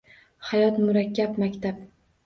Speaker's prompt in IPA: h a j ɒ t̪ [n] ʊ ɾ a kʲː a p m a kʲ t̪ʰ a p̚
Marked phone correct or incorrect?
incorrect